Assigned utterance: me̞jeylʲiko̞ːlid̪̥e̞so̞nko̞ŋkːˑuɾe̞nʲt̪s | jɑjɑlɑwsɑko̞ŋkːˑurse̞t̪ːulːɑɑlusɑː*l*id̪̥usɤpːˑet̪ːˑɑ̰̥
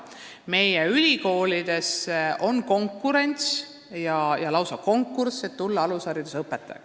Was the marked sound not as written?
yes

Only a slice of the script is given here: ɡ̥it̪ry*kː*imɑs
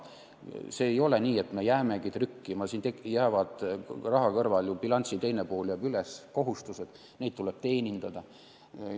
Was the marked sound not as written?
no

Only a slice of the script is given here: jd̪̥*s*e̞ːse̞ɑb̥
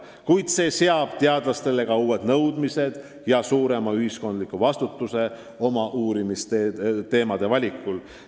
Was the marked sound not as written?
no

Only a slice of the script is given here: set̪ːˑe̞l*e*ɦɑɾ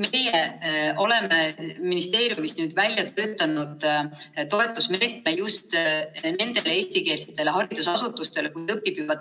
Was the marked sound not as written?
no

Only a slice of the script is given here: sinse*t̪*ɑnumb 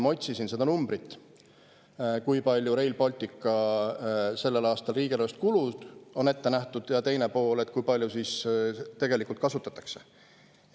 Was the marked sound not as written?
yes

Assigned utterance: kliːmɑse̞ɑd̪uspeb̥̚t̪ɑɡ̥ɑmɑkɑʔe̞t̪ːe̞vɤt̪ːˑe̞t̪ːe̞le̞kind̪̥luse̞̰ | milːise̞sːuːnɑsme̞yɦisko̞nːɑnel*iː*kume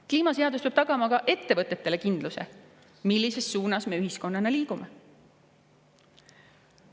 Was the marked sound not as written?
no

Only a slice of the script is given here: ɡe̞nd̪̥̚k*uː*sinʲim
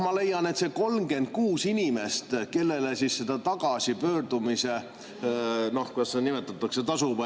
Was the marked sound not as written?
no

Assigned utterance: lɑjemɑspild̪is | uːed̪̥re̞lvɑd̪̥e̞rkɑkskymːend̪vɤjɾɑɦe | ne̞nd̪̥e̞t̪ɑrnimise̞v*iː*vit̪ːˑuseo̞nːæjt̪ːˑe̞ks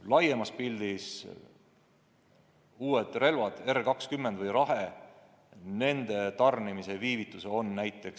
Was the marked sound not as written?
no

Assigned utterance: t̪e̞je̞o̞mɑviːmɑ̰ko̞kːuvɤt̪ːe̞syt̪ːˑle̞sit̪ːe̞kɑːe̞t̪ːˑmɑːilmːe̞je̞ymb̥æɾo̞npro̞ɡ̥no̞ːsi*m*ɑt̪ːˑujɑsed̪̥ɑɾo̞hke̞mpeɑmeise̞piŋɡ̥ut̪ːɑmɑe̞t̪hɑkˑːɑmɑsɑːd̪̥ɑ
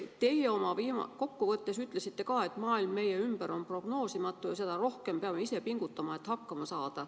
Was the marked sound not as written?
no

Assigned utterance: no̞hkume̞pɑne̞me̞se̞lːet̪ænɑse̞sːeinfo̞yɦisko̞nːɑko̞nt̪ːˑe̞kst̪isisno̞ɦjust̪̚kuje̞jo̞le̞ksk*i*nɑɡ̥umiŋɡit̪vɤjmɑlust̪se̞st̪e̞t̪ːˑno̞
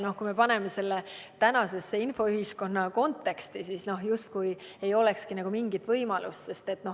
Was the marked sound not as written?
no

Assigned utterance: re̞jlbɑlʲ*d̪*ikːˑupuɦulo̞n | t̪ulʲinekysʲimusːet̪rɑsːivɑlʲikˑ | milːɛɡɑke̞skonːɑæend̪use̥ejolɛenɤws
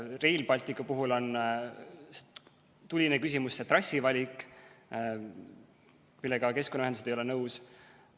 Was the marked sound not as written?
yes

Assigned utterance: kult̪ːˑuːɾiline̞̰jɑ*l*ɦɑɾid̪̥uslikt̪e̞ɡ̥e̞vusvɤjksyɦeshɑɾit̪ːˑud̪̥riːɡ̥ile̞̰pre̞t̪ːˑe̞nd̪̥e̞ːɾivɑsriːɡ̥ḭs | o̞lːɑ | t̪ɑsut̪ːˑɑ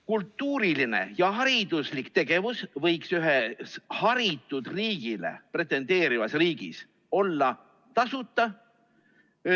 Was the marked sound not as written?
yes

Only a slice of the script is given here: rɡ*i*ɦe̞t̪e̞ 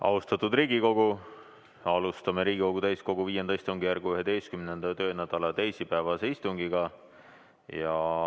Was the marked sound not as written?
yes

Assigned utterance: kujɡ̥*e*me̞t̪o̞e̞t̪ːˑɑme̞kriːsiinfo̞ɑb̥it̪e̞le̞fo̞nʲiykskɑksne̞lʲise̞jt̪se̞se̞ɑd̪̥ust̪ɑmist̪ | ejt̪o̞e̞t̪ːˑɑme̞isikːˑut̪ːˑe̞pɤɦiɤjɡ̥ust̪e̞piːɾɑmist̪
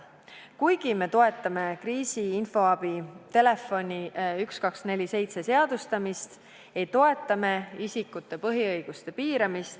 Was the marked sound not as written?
yes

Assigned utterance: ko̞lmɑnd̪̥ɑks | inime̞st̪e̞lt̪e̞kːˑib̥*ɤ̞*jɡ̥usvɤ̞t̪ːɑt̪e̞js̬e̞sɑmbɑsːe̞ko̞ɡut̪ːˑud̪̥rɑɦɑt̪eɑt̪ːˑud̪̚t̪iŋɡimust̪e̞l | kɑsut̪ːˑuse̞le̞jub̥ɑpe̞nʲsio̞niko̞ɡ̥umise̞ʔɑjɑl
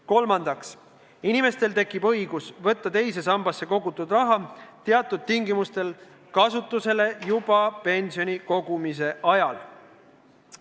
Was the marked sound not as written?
no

